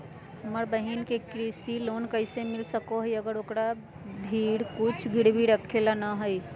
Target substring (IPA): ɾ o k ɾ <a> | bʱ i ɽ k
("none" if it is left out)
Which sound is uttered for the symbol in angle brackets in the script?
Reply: a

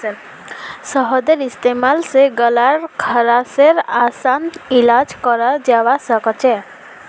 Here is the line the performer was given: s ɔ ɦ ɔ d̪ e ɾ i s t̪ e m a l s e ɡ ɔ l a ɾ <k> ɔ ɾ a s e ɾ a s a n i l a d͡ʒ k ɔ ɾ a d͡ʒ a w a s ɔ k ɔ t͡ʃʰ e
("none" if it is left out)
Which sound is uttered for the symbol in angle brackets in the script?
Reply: kʰ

